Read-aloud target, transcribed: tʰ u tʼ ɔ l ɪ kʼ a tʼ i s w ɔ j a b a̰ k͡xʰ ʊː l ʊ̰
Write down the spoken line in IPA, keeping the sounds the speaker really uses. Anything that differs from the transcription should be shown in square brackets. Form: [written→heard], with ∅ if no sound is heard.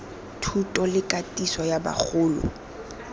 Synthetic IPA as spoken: tʰ u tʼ ɔ l ɪ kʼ a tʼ i s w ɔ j a b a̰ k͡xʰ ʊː l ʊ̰